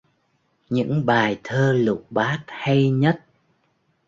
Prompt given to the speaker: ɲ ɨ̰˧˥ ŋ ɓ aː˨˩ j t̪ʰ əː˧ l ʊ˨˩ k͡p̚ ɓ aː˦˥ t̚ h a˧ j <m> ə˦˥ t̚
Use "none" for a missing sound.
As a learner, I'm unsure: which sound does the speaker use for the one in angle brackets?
ɲ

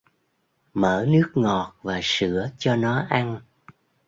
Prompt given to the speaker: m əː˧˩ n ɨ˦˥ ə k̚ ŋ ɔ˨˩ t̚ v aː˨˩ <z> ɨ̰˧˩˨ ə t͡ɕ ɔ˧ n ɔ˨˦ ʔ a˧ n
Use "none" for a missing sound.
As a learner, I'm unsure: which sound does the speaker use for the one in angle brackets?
s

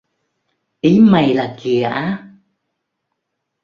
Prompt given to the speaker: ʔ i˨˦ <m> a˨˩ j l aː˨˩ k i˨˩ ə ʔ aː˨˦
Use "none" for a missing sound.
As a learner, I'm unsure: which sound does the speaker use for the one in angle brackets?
m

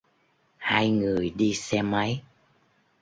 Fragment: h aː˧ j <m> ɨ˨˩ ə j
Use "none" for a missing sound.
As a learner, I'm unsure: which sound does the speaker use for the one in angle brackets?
ŋ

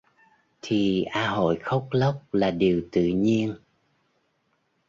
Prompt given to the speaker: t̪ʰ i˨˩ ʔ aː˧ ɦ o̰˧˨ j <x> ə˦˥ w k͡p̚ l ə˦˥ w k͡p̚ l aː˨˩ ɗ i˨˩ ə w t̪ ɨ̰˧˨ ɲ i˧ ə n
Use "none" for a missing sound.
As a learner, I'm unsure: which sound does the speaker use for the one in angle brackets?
x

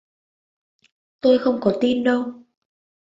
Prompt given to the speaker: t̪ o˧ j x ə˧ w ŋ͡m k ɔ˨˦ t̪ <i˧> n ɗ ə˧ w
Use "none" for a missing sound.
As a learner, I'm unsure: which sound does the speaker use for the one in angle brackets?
i˧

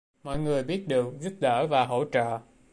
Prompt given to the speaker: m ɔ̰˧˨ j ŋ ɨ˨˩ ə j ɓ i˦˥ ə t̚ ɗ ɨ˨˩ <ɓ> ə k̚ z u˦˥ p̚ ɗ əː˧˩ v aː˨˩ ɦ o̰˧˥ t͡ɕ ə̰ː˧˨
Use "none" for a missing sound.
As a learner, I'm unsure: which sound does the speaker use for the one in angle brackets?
none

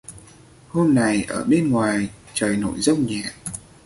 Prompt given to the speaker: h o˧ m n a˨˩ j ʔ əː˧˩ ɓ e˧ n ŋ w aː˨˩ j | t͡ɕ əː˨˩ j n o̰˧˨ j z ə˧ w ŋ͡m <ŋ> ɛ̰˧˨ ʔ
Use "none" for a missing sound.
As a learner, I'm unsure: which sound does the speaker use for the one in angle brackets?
ɲ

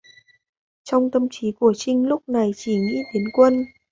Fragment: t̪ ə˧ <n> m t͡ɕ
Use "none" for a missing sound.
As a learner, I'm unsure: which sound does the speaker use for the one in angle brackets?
none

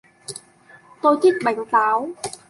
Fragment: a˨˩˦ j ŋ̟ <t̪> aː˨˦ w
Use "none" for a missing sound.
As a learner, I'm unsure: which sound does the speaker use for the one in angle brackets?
t̪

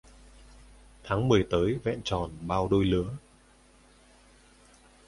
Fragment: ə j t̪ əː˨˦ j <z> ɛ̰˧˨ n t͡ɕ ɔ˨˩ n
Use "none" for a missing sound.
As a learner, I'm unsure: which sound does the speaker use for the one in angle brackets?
v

